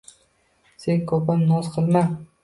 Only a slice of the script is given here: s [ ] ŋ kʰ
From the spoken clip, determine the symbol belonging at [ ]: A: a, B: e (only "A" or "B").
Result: B